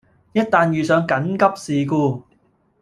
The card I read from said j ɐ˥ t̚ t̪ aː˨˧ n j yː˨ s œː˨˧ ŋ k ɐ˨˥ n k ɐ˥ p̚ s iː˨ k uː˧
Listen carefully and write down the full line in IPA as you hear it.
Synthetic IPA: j ɐ˥ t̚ t̪ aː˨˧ n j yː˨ s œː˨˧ ŋ k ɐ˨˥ n k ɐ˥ p̚ s iː˨ k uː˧